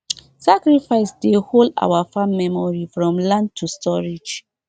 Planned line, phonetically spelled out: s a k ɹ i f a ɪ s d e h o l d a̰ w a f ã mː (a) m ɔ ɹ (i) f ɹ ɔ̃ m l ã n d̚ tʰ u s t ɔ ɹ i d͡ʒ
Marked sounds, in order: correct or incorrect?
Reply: incorrect: ɛ, correct

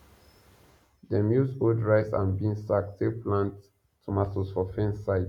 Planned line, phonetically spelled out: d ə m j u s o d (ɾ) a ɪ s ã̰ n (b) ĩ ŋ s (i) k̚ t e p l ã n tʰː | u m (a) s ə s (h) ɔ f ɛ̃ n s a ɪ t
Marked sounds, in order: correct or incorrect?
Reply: incorrect: ɹ, correct, incorrect: a, correct, incorrect: f

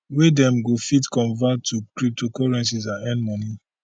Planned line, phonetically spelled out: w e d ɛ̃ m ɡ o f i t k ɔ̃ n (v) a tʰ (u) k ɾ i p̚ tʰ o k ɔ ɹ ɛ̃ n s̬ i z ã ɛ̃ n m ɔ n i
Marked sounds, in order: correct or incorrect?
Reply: correct, correct

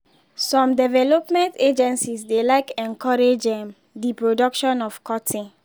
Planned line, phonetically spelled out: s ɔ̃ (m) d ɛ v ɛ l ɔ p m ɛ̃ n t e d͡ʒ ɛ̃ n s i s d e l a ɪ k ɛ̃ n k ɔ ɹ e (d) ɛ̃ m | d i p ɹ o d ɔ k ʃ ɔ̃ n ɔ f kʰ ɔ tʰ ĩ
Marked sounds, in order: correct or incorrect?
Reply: correct, incorrect: d͡ʒ

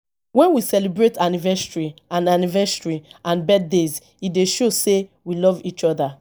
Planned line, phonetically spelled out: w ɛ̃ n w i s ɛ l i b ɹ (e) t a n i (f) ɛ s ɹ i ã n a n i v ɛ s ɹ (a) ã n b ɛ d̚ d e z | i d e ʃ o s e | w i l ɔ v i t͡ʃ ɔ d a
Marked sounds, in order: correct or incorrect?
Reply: correct, incorrect: v, incorrect: i

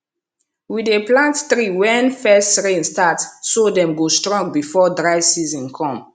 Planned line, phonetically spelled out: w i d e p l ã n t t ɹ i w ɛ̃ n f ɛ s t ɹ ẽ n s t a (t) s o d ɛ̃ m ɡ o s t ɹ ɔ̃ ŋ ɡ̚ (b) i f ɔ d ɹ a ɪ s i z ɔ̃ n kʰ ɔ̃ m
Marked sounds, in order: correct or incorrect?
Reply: correct, correct

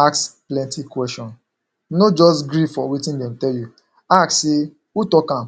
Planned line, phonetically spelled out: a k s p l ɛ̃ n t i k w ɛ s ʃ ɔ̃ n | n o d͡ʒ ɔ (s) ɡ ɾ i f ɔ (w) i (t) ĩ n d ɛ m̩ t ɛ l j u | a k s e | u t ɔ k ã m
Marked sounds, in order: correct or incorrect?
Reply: correct, correct, correct

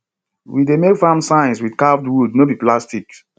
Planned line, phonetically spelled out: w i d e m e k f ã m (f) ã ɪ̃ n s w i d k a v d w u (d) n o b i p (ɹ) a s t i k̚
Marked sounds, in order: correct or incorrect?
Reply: incorrect: s, correct, incorrect: l

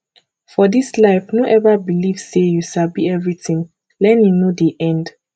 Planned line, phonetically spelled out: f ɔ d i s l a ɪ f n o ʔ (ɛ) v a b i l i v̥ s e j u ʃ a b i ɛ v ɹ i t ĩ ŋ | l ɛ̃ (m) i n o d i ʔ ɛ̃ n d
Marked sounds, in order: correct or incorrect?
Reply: correct, incorrect: n

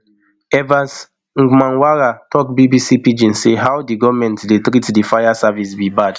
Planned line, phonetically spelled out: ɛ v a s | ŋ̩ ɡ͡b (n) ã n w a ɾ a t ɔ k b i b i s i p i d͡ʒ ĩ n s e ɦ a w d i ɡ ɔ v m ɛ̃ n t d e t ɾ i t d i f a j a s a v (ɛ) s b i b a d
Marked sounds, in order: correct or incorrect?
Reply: incorrect: m, incorrect: i

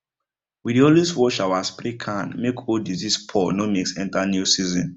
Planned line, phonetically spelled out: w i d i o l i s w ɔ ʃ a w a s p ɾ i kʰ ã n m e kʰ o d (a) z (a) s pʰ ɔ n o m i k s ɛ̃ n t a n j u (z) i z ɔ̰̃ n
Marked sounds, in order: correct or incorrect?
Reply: incorrect: i, incorrect: i, incorrect: s

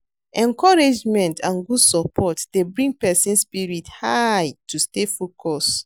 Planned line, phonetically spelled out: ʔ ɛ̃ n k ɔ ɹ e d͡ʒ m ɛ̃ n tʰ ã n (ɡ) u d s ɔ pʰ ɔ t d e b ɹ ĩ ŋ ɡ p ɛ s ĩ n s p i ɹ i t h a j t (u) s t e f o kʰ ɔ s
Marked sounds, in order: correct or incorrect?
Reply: correct, correct

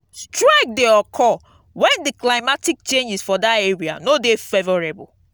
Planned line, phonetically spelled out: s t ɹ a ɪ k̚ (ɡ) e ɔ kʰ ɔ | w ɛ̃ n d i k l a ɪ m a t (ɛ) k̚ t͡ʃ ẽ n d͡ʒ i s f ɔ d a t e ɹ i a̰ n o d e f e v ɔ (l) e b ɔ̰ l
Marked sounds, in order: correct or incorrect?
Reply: incorrect: d, incorrect: i, incorrect: ɹ

